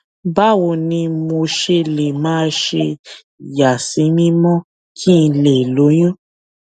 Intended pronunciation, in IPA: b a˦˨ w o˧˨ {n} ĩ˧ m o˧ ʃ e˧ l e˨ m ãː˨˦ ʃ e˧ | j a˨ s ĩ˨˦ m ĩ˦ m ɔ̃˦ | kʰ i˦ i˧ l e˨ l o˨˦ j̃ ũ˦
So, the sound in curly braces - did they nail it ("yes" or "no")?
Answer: yes